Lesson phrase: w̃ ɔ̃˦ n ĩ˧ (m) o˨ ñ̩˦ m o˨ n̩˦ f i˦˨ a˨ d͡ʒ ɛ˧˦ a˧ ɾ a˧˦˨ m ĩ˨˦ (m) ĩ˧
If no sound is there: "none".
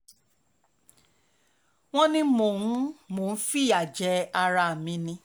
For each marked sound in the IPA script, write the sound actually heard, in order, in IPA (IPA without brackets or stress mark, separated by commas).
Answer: m, n